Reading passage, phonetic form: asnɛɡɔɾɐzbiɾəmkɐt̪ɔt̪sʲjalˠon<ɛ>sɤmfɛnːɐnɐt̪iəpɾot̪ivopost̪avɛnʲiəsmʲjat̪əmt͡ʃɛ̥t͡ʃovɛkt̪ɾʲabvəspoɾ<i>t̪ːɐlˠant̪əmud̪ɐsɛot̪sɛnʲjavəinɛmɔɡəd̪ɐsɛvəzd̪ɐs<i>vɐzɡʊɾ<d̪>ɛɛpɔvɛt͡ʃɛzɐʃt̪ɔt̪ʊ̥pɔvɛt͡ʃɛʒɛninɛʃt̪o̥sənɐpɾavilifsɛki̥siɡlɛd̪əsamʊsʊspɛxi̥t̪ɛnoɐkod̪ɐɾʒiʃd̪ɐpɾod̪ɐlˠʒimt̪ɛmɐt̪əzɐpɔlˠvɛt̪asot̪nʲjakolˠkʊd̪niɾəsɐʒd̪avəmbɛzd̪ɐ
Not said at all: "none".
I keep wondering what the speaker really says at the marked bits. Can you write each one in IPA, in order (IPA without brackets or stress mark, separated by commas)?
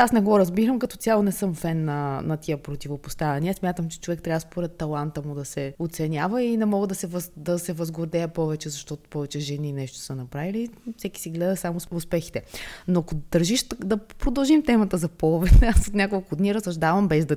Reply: ɛ, ɛ, ɛ, d̪